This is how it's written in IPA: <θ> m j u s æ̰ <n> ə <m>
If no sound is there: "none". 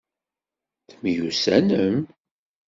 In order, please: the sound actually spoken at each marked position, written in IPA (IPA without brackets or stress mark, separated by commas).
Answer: θ, n, m